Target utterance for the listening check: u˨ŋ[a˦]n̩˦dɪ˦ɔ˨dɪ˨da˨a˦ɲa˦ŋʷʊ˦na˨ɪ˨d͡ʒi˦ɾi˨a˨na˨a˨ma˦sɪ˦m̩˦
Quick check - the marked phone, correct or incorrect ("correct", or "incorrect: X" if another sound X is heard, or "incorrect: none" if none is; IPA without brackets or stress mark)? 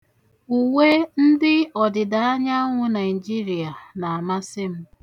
incorrect: e˦